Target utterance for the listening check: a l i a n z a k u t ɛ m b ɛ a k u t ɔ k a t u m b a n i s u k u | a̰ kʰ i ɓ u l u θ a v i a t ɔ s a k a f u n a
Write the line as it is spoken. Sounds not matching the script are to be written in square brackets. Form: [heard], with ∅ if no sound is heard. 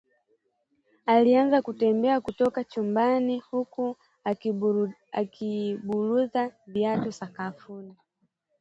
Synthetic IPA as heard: a l i a n z a k u t ɛ m b ɛ a k u t ɔ k a [t͡ʃ] u m b a n i [h] u k u | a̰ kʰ i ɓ u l u [ð] a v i a t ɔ s a k a f u n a